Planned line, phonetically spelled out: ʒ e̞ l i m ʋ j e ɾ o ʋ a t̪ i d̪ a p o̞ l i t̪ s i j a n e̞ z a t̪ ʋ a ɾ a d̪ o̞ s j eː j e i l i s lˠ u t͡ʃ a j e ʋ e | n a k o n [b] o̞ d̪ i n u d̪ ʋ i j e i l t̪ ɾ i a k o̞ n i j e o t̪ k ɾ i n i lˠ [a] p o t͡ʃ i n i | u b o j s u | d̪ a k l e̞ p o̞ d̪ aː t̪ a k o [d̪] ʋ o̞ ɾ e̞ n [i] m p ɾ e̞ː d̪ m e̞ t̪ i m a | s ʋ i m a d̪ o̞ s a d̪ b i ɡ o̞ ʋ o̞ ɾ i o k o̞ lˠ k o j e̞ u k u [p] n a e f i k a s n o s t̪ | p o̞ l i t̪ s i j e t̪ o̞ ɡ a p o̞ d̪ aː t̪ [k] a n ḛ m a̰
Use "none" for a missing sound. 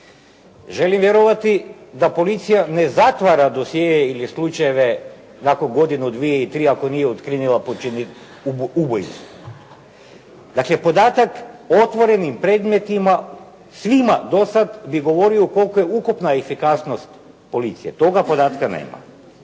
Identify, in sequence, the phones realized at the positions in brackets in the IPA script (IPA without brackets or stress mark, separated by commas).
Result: ɡ, a, t̪, i, p, k